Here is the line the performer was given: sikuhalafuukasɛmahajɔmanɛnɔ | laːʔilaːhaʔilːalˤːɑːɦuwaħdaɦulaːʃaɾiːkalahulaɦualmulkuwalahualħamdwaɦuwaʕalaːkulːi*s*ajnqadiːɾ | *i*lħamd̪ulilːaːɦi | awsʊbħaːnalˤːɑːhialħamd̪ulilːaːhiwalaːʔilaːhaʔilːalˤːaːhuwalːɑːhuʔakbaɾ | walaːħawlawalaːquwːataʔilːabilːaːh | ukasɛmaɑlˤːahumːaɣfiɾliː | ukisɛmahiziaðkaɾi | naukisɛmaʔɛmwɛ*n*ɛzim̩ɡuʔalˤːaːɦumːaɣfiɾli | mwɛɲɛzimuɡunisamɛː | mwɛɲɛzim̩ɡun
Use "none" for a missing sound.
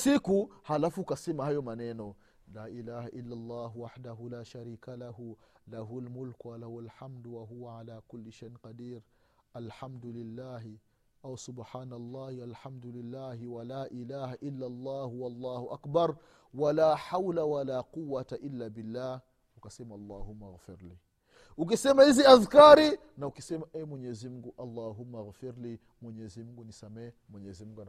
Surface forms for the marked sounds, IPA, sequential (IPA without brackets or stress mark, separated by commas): ʃ, a, ɲ